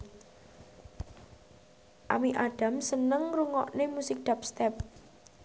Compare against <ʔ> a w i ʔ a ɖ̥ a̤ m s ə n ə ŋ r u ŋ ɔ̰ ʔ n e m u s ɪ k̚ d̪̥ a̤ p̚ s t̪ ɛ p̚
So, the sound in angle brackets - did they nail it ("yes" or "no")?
yes